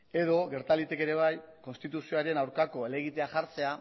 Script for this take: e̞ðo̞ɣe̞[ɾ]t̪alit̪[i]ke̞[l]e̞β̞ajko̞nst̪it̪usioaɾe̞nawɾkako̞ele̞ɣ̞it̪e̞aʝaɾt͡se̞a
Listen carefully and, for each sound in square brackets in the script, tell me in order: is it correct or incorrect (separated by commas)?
correct, incorrect, incorrect